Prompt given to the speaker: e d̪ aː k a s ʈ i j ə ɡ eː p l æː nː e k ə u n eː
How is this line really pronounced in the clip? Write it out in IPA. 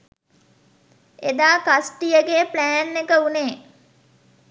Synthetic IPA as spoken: e d̪ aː k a s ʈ i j ə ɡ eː p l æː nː e k ə u n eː